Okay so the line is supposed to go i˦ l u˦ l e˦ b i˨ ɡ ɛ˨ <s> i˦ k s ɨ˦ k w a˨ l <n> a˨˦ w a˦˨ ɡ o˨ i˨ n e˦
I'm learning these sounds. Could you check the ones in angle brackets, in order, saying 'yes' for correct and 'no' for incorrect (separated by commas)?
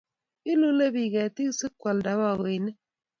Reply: no, no